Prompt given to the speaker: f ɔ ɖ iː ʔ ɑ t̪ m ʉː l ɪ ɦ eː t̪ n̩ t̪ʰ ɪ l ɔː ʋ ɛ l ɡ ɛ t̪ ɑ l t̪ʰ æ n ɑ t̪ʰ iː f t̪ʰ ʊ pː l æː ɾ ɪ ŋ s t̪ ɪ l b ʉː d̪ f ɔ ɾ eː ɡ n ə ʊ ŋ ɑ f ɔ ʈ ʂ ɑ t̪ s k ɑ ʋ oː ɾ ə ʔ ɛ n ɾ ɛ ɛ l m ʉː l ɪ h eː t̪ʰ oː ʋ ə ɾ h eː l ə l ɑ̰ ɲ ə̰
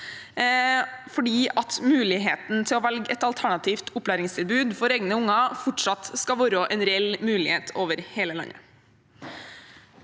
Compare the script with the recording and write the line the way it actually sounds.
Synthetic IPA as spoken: f ɔ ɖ iː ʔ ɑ t̪ m ʉː l ɪ ɦ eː t̪ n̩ t̪ʰ ɪ l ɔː ʋ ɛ l ɡ ɛ t̪ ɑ l t̪ʰ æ ɳ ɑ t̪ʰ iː f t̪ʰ ʊ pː l æː ɾ ɪ ŋ s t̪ ɪ l b ʉː d̪ f ɔ ɾ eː ɡ n ə ʊ ŋ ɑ f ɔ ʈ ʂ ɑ t̪ s k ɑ ʋ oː ɾ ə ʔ ɛ n ɾ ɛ ɛ l m ʉː l ɪ h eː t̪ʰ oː ʋ ə ɾ h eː l ə l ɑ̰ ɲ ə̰